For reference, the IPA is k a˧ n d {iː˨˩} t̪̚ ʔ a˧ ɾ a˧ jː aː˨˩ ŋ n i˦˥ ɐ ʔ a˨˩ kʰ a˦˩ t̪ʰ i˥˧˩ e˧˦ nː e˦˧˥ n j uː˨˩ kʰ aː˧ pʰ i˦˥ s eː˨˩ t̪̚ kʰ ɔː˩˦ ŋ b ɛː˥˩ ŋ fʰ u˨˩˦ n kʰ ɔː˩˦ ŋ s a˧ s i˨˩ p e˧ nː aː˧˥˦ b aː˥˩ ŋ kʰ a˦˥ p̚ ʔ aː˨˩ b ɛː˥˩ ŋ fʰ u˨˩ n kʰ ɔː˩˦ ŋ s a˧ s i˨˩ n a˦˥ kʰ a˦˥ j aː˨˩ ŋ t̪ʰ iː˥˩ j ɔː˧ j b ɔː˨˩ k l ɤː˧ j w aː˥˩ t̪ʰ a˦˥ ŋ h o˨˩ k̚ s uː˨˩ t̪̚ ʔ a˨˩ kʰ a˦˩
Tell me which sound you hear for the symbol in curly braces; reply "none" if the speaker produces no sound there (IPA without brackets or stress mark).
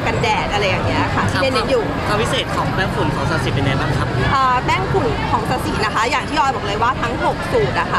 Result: ɛː˨˩